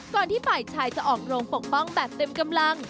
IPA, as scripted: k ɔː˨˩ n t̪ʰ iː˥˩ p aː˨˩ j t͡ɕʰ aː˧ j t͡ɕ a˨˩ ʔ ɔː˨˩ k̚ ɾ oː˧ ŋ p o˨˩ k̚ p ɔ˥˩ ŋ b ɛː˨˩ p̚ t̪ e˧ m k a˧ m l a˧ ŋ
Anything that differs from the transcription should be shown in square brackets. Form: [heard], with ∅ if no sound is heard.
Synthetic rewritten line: k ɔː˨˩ n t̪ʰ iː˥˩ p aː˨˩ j t͡ɕʰ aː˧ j t͡ɕ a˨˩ ʔ ɔː˨˩ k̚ ɾ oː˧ ŋ p o˨˩ k̚ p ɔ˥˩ ŋ b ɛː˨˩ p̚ t̪ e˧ m k a˧ m l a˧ ŋ